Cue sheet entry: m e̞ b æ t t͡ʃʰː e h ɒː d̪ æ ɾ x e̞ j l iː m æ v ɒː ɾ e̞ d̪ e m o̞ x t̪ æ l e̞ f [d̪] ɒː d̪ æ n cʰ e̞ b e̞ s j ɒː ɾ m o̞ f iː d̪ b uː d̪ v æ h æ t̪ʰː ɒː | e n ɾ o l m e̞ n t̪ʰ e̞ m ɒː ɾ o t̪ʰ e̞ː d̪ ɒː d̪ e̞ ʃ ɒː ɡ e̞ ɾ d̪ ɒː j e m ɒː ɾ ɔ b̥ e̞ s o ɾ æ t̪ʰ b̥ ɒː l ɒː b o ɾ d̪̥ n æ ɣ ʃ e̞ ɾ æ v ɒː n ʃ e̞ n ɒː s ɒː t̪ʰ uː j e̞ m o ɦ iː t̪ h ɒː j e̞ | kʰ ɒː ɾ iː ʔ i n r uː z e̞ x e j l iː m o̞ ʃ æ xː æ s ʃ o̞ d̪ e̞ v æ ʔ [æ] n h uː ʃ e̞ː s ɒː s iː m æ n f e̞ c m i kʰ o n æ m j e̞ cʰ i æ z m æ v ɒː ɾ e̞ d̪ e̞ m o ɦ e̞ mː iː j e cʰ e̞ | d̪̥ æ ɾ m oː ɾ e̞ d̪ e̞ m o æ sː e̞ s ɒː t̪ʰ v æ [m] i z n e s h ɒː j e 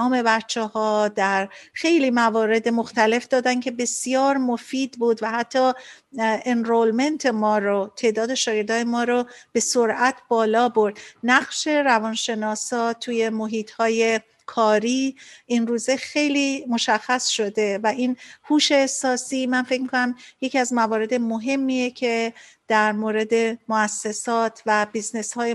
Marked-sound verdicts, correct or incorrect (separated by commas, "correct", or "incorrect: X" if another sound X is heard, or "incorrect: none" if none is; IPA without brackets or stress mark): correct, incorrect: i, incorrect: b